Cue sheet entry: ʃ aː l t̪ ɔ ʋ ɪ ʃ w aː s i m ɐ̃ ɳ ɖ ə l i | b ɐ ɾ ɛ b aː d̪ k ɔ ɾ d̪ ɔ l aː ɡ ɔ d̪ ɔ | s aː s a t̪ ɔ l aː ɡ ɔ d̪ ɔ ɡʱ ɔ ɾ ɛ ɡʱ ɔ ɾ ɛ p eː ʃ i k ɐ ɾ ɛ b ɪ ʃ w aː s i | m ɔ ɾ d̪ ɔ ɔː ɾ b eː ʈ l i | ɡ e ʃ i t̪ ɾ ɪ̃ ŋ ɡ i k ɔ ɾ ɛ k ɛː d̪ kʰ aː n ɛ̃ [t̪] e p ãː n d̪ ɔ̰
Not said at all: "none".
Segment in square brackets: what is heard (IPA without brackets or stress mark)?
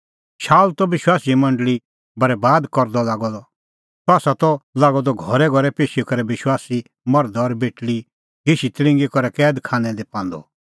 d̪